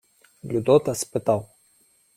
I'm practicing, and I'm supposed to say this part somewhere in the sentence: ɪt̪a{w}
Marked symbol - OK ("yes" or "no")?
yes